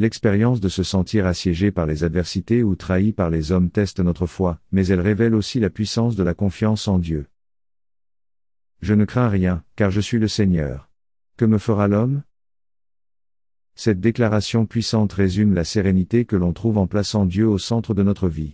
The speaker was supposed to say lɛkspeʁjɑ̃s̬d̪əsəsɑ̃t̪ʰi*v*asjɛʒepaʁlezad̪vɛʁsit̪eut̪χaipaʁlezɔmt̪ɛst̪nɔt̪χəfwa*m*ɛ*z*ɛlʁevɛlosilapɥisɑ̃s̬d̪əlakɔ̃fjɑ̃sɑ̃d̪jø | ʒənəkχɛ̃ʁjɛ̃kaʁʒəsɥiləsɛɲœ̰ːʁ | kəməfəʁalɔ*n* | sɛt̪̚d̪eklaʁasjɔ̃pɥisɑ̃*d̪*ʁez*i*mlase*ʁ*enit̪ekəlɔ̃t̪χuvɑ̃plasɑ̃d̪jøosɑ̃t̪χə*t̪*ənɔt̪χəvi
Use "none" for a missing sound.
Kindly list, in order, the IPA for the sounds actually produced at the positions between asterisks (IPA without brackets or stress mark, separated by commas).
ʁ, m, z, m, t̪, y, ʁ, d̪